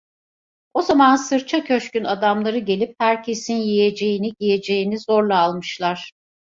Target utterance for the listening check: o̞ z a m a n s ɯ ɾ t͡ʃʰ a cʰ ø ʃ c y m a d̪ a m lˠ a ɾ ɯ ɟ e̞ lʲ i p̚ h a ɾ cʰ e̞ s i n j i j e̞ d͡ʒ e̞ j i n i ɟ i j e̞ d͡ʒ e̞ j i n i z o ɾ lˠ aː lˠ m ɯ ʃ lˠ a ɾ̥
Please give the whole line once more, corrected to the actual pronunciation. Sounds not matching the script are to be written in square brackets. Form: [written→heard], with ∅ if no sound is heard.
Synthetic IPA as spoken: o̞ z a m a n s ɯ ɾ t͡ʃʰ a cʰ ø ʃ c y [m→n] a d̪ a m lˠ a ɾ ɯ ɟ e̞ lʲ i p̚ h [a→æ] ɾ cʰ e̞ s i n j i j e̞ d͡ʒ e̞ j i n i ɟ i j e̞ d͡ʒ e̞ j i n i z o ɾ lˠ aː lˠ m ɯ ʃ lˠ a ɾ̥